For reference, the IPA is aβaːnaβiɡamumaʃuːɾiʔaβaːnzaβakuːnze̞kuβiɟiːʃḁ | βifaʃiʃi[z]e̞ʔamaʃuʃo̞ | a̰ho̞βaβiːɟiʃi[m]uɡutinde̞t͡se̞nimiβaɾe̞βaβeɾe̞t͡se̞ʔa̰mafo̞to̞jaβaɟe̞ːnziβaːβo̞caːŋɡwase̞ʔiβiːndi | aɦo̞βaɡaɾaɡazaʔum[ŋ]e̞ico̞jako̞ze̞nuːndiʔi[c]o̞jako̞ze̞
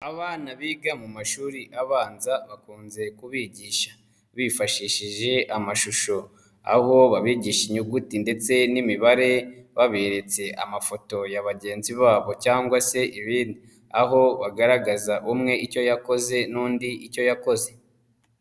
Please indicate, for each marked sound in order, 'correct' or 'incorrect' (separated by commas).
incorrect, incorrect, correct, correct